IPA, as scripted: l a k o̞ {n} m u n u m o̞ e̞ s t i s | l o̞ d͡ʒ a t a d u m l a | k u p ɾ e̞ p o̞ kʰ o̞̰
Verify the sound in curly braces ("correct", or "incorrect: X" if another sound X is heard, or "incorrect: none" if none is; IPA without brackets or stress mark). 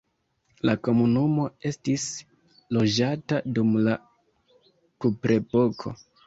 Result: incorrect: none